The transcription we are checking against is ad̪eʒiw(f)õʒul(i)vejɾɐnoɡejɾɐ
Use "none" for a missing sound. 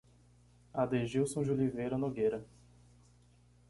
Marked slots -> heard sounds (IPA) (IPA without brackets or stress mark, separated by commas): s, i